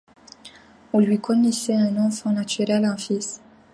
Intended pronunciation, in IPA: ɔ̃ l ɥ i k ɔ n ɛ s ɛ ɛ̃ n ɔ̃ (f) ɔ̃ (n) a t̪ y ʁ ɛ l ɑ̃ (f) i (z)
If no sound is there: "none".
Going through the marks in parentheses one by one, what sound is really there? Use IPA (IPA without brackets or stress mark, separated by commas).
f, n, f, s